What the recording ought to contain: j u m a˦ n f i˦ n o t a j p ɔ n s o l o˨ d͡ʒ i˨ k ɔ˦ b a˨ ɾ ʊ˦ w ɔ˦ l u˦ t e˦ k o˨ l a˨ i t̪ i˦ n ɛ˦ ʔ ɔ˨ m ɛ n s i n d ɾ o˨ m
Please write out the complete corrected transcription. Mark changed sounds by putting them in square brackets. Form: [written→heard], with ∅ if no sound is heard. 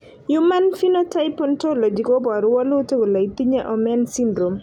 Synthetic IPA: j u m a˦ n f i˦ n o t a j p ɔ n [s→t] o l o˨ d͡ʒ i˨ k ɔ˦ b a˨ ɾ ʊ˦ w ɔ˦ l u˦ t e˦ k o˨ l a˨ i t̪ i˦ [n→ɲ] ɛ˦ ʔ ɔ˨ m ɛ n s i n d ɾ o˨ m

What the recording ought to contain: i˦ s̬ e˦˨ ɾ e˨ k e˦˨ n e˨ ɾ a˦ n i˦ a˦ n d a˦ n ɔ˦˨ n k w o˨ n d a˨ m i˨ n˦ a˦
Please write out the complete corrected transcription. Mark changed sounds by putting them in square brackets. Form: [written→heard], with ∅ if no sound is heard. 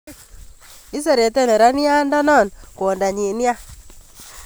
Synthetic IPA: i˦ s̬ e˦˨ ɾ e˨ [k→t] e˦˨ n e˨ ɾ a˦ n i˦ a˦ n d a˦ n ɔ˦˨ n k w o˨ n d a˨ [m→ɲ] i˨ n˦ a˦

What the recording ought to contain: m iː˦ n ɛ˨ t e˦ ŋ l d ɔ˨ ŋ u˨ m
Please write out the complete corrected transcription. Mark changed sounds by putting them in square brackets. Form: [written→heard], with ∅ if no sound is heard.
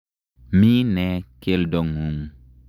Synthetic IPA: m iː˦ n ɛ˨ [t→k] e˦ [ŋ→∅] l d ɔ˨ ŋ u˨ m

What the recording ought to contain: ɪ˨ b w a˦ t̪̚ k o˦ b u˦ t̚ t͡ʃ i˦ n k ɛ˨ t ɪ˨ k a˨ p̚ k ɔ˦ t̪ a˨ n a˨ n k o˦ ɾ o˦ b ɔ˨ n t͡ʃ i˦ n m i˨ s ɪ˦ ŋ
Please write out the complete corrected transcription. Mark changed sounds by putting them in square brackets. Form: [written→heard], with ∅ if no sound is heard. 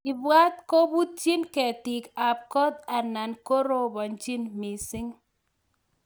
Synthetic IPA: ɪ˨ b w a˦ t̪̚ k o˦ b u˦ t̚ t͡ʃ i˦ n k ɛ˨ t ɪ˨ k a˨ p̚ k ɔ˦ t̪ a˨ n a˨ n k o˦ ɾ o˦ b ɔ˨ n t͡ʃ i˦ n m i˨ s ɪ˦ ŋ

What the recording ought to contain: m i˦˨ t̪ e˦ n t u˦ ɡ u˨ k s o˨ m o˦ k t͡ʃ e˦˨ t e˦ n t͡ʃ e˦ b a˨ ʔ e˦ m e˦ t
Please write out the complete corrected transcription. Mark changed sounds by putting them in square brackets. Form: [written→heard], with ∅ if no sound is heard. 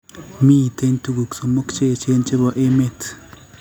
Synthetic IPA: m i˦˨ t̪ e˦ n t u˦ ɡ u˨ k s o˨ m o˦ k t͡ʃ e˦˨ [t→t͡ʃ] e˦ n t͡ʃ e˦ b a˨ ʔ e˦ m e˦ t

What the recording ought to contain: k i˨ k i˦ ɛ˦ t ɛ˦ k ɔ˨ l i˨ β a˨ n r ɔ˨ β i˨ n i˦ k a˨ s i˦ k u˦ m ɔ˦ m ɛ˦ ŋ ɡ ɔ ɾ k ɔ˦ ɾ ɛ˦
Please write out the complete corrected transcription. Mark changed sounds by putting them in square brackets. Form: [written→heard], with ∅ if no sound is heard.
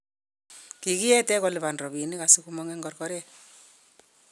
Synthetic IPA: k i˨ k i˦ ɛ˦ t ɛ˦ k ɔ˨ l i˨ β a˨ n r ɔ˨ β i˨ n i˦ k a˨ s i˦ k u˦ m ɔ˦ [m→ŋ] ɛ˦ ŋ ɡ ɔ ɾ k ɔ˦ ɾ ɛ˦

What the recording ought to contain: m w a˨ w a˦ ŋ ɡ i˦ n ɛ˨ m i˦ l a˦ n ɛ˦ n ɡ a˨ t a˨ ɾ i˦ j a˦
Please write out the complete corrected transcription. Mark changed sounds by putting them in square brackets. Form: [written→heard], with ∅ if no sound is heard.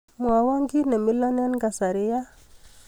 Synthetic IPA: m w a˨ w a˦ ŋ ɡ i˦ n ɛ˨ m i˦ l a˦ n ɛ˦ n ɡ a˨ [t→s] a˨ ɾ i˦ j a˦

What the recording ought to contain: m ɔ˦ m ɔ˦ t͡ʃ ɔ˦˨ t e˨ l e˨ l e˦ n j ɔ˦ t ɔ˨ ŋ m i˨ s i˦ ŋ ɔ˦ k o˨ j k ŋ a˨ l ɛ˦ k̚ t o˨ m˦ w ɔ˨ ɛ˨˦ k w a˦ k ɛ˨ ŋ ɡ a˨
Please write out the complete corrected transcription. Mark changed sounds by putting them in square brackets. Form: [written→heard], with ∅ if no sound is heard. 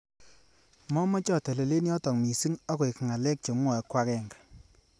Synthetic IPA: m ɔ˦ m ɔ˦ t͡ʃ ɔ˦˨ t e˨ l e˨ l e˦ n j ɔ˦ t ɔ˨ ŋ m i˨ s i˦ ŋ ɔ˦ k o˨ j k ŋ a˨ l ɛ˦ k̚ [t→t͡ʃ] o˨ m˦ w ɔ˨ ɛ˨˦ k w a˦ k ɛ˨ ŋ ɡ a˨

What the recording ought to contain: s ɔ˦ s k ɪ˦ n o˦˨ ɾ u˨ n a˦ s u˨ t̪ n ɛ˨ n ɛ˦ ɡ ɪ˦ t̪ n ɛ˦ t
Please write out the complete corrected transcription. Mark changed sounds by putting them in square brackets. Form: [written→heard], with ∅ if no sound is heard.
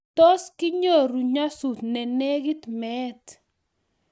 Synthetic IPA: [s→t] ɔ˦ s k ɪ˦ [n→ɲ] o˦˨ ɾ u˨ [n→ɲ] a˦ s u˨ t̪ n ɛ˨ n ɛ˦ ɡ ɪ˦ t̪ [n→m] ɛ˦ t

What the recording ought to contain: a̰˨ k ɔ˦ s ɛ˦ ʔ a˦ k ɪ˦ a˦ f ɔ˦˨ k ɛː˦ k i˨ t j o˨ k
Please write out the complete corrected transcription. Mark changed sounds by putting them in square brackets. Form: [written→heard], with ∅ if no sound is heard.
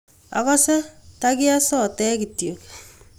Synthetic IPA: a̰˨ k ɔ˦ s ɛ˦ [ʔ→t] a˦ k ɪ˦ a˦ [f→s] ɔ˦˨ [k→t] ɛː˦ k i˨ t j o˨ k

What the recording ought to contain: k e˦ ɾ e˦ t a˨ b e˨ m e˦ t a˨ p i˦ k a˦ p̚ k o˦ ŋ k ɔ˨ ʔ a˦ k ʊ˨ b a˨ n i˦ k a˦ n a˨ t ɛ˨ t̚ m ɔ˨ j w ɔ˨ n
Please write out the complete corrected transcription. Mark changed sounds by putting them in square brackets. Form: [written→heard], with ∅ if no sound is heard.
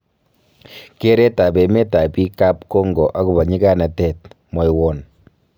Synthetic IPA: k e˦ ɾ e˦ t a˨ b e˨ m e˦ t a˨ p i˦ k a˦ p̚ k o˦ ŋ [k→ɡ] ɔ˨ ʔ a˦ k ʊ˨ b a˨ [n→ɲ] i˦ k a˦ n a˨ t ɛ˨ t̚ m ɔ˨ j w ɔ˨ n

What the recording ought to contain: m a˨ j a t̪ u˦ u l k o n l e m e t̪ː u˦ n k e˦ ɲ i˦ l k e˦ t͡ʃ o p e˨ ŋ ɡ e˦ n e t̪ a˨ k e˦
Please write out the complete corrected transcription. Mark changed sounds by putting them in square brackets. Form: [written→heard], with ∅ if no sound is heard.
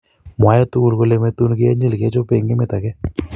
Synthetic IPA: m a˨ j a t̪ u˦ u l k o [n→∅] l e m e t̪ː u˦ n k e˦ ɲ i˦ l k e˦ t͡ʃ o p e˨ ŋ ɡ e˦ [n→m] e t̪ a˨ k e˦

